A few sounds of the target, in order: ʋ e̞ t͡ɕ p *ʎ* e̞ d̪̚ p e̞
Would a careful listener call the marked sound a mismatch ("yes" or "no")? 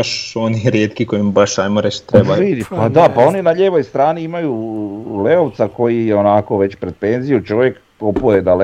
yes